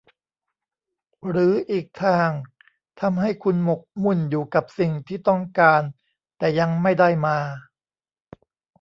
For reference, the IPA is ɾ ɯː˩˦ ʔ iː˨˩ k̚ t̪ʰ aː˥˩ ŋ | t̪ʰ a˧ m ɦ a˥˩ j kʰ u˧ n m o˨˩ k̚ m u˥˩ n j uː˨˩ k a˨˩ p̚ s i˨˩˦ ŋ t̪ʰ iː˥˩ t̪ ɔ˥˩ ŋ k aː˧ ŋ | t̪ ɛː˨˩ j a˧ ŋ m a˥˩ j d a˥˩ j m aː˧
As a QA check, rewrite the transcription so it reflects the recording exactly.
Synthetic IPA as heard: ɾ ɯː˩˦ ʔ iː˨˩ k̚ t̪ʰ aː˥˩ ŋ | t̪ʰ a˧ m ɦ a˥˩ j kʰ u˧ n m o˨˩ k̚ m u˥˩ n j uː˨˩ k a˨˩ p̚ s i˨˩ ŋ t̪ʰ iː˥˩ t̪ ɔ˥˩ ŋ k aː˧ n | t̪ ɛː˨˩ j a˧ ŋ m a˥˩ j d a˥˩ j m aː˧

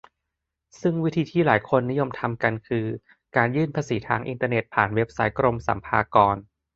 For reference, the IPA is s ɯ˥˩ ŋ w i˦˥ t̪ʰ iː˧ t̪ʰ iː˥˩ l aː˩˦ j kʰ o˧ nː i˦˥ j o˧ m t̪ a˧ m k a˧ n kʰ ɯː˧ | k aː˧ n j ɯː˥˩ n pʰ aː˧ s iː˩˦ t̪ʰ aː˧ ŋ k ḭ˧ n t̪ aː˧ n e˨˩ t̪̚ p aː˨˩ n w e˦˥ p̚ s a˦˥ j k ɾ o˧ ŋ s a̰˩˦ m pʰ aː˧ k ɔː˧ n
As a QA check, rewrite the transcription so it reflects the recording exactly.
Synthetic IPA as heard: s ɯ˥˩ ŋ w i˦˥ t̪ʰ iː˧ t̪ʰ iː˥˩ l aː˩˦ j kʰ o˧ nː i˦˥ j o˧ m t̪ʰ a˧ m k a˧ n kʰ ɯː˧ | k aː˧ n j ɯː˥˩ n pʰ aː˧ s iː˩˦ t̪ʰ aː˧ ŋ ʔ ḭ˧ n t̪ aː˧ n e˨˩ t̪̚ pʰ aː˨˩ n w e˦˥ p̚ s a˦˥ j k ɾ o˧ m s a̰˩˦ m pʰ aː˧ k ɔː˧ n

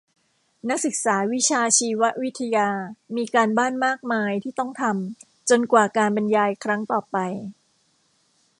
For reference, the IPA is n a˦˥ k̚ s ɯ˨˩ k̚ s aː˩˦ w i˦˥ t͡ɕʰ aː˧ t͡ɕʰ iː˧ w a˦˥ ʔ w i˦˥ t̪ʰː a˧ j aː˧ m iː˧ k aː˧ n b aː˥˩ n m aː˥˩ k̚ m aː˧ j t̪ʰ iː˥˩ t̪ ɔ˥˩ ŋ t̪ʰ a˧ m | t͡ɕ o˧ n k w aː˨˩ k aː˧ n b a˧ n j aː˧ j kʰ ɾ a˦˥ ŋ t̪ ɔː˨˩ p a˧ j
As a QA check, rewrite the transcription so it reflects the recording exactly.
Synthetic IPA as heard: n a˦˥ k̚ s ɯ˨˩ k̚ s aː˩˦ w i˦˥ t͡ɕʰ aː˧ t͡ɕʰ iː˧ w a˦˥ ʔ w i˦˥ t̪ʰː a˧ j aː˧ m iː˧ k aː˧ n b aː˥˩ n m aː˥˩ k̚ m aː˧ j t̪ʰ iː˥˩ t̪ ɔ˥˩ ŋ t̪ʰ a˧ m | t͡ɕ o˧ n k w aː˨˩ k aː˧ n b a˧ n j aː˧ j kʰ ɾ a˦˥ ŋ t̪ ɔː˨˩ p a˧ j

